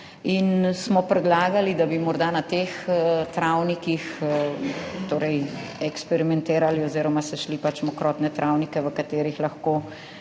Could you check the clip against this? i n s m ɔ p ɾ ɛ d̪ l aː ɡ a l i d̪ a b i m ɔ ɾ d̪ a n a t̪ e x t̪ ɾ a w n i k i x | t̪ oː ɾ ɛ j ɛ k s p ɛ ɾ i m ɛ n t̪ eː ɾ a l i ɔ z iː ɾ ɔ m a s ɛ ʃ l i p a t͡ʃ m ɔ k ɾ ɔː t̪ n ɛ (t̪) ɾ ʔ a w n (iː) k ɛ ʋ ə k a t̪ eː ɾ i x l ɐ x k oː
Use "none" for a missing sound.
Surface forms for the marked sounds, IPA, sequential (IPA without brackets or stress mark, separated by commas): t̪, i